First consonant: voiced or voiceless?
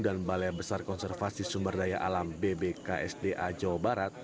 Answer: voiced